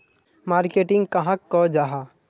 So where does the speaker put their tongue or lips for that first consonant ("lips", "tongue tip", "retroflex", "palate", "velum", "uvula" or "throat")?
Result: lips